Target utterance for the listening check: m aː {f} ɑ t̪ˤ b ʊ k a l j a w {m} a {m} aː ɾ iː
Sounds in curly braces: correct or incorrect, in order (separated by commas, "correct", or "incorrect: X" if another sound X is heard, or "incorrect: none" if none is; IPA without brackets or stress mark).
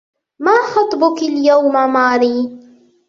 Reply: incorrect: x, correct, correct